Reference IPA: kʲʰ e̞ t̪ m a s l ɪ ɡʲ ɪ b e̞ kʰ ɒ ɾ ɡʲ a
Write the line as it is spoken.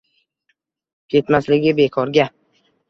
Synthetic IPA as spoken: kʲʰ e̞ t̪ m a s l ɪ ɡʲ ɪ b e̞ kʰ ɒ ɾ ɡʲ a

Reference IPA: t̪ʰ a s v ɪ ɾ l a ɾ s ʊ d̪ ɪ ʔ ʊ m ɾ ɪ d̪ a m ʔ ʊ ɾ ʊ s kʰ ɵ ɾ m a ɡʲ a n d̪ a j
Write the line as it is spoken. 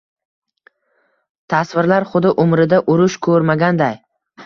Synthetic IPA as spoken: t̪ʰ a s v ɪ ɾ l a ɾ χ ʊ d̪ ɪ ʔ ʊ m ɾ ɪ d̪ a ʔ ʊ ɾ ʊ ʃ kʰ ɵ ɾ m a ɡʲ a n d̪ a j

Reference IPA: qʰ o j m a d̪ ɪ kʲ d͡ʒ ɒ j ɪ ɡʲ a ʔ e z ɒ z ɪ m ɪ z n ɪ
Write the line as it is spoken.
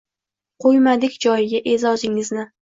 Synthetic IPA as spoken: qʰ o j m a d̪ ɪ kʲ d͡ʒ ɒ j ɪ ɡʲ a ʔ e z ɒ z ɪ ŋ ɪ z n ɪ

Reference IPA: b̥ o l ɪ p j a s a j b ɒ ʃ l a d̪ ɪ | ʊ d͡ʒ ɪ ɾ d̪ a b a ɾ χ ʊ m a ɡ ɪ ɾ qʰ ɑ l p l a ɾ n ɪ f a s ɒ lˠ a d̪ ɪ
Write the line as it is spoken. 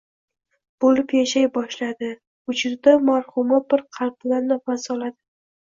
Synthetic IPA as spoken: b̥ o l ɪ p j a ʃ a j b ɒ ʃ l a d̪ ɪ | ʊ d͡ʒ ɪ ɾ d̪ a m a ɾ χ ʊ m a b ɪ ɾ qʰ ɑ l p l a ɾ n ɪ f a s ɒ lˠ a d̪ ɪ

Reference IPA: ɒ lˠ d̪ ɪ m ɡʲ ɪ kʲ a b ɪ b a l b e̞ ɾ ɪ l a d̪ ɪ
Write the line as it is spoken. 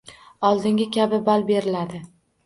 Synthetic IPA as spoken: ɒ lˠ d̪ ɪ ŋ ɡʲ ɪ kʲ a b ɪ b a l b e̞ ɾ ɪ l a d̪ ɪ

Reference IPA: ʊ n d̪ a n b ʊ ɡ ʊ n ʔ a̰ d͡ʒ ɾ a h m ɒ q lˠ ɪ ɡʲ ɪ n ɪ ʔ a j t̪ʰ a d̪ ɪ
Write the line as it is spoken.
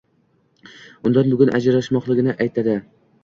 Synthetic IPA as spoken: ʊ n d̪ a n b ʊ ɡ ʊ n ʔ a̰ d͡ʒ ɾ a ʃ m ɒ q lˠ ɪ ɡʲ ɪ n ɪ ʔ a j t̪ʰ a d̪ ɪ

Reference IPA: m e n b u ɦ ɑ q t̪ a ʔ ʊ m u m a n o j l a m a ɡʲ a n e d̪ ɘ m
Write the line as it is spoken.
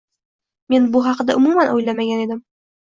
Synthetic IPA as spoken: m e n b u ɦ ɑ q d̪ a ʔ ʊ m u m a n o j l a m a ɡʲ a n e d̪ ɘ m

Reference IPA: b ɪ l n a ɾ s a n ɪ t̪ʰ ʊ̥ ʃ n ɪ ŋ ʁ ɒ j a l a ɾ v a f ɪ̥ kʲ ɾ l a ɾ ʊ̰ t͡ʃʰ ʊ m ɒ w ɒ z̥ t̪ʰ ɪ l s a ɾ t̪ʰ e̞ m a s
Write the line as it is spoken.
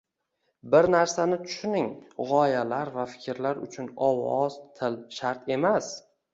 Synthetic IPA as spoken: b ɪ ɾ n a ɾ s a n ɪ t̪ʰ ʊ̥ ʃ n ɪ ŋ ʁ ɒ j a l a ɾ v a f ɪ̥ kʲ ɾ l a ɾ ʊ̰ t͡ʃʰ ʊ n ɒ w ɒ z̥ t̪ʰ ɪ l ʃ a ɾ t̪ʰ e̞ m a s

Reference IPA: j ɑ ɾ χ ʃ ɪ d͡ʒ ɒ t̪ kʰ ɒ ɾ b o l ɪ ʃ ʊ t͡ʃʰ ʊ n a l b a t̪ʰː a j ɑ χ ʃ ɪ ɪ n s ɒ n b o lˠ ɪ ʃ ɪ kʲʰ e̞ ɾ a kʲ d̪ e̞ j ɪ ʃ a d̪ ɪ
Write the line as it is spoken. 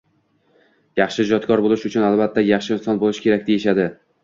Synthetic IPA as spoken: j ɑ χ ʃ ɪ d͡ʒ ɒ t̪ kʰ ɒ ɾ b o l ɪ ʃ ʊ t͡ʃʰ ʊ n a l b a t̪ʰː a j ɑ χ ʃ ɪ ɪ n s ɒ n b o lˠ ɪ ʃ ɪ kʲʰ e̞ ɾ a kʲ d̪ e̞ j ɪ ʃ a d̪ ɪ

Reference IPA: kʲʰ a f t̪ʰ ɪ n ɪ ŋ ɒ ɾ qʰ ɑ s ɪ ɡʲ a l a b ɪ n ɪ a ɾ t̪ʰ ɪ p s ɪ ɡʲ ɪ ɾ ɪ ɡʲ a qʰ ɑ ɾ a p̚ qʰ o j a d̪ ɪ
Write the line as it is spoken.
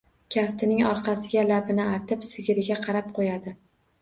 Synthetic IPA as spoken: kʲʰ a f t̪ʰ ɪ n ɪ ŋ ɒ ɾ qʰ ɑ s ɪ ɡʲ a l a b ɪ n ɪ a ɾ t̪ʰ ɪ p s ɪ ɡʲ ɪ ɾ ɪ ɡʲ a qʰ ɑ ɾ a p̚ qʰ o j a d̪ ɪ

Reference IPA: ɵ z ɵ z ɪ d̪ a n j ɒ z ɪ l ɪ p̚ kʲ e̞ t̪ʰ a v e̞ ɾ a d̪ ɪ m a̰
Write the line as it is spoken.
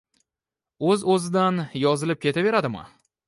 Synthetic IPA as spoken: ɵ z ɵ z ɪ d̪ a n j ɒ z ɪ l ɪ p̚ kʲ e̞ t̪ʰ a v e̞ ɾ a d̪ ɪ m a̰

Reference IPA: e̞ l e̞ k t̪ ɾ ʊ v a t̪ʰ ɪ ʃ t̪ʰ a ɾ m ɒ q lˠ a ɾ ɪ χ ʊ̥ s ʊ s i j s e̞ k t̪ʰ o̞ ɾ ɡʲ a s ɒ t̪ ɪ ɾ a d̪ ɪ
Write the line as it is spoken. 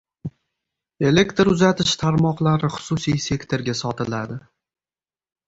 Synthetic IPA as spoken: e̞ l e̞ k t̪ ɾ ʊ z a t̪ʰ ɪ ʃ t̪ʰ a ɾ m ɒ q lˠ a ɾ ɪ χ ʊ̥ s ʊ s i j s e̞ k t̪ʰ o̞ ɾ ɡʲ a s ɒ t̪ ɪ l a d̪ ɪ

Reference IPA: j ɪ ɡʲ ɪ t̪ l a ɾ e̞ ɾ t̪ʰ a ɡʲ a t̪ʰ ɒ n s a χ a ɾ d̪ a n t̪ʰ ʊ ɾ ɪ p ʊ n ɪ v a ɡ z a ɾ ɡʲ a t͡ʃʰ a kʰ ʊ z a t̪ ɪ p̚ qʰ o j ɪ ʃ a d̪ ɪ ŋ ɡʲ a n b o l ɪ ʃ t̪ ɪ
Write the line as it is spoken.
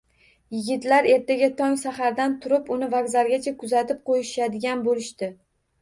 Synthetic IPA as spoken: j ɪ ɡʲ ɪ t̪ l a ɾ e̞ ɾ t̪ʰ a ɡʲ a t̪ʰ ɒ ŋ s a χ a ɾ d̪ a n t̪ʰ ʊ ɾ ɪ p ʊ n ɪ v a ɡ z a ɾ ɡʲ a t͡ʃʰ a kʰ ʊ z a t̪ ɪ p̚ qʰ o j ɪ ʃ a d̪ ɪ ɡʲ a n b o l ɪ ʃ t̪ ɪ

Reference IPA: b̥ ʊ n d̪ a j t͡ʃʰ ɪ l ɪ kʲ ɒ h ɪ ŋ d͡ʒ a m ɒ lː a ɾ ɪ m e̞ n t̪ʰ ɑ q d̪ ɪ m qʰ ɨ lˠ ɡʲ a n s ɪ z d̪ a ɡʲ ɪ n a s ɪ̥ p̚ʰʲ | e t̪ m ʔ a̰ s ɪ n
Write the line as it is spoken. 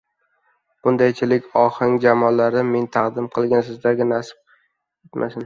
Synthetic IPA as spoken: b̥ ʊ n d̪ a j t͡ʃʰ ɪ l ɪ kʲ ɒ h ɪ ŋ d͡ʒ a m ɒ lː a ɾ ɪ m e̞ n t̪ʰ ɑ q d̪ ɪ m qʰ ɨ lˠ ɡʲ a n s ɪ z d̪ a ɡʲ ɪ n a s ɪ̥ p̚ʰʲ | e t̪ m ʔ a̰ s ɪ n

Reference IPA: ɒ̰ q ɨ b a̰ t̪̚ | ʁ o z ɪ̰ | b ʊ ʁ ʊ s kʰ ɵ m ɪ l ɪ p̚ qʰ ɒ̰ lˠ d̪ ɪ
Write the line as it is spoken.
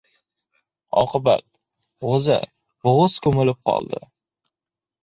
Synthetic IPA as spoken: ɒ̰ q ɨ b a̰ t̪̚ | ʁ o z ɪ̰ | b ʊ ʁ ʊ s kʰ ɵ m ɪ l ɪ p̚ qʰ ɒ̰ lˠ d̪ ɪ

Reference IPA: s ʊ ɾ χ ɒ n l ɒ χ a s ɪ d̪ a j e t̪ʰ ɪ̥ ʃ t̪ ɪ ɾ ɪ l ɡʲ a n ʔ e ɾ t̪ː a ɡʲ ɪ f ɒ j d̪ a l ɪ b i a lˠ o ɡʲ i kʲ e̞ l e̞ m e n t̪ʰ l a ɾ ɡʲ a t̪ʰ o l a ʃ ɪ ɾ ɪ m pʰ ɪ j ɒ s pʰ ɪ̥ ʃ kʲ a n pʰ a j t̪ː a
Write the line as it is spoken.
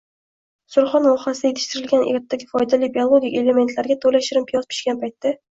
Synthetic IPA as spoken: s ʊ ɾ χ ɒ n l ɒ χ a s ɪ d̪ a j e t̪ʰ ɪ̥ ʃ t̪ ɪ ɾ ɪ l ɡʲ a n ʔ e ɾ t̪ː a ɡʲ ɪ f ɒ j d̪ a l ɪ b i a lˠ o ɡʲ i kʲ e̞ l e̞ m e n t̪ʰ l a ɾ ɡʲ a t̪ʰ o l a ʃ ɪ ɾ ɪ m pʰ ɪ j ɒ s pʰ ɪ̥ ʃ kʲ a n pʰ a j t̪ː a

